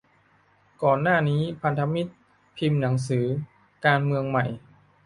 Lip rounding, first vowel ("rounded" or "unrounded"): rounded